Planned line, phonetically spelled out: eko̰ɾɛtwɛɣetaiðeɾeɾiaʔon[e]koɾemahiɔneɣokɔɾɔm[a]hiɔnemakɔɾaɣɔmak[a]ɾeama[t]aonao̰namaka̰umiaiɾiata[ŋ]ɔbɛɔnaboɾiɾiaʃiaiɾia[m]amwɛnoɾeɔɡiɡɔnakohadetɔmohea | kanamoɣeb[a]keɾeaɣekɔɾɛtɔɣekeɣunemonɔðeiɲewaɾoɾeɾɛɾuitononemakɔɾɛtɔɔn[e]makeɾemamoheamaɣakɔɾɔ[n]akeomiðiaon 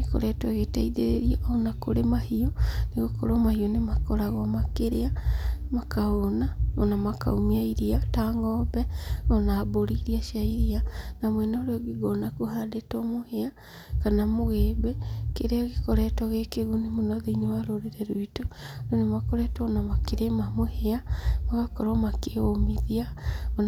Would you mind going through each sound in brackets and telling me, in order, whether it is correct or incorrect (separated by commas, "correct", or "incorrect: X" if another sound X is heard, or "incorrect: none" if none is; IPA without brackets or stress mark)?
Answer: incorrect: a, correct, incorrect: e, incorrect: k, correct, incorrect: n, incorrect: e, incorrect: a, incorrect: m